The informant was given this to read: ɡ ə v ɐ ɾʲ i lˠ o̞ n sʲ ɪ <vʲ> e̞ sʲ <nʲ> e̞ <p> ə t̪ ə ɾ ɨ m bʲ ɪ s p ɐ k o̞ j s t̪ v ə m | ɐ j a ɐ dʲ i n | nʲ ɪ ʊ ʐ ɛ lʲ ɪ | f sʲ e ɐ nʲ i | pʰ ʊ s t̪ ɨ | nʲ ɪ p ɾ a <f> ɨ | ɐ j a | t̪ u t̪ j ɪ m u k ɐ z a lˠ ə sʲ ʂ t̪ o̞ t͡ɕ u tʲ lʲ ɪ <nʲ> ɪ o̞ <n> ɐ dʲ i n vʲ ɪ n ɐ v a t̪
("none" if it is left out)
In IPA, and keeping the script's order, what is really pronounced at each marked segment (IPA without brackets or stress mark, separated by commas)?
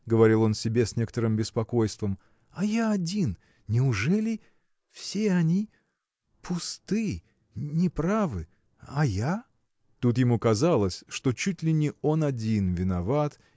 bʲ, nʲ, k, v, nʲ, n